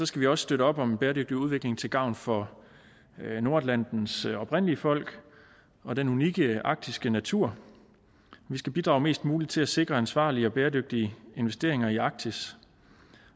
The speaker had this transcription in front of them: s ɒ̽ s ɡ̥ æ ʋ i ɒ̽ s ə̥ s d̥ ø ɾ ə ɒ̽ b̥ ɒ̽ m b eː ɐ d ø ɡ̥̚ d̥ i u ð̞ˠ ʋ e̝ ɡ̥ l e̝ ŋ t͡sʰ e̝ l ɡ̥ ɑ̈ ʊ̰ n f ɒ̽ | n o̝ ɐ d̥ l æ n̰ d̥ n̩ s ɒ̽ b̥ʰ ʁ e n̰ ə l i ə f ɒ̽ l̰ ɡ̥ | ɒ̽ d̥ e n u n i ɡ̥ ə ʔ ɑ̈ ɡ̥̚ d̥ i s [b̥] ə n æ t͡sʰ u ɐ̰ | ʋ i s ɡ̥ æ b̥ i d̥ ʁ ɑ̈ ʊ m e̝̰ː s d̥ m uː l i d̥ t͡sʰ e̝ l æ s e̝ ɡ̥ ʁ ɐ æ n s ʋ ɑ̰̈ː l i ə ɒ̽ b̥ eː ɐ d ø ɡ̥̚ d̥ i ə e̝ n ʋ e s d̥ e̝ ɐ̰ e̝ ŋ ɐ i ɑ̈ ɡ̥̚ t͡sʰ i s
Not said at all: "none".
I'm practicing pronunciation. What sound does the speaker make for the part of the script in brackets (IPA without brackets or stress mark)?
ɡ̥